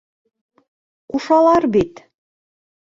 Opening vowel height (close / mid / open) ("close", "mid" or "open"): close